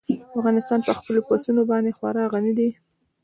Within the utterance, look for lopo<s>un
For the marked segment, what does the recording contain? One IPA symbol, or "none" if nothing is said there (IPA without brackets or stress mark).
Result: s